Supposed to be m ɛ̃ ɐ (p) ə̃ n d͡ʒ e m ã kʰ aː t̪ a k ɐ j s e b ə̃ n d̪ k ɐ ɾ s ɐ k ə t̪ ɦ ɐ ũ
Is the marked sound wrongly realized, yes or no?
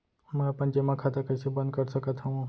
no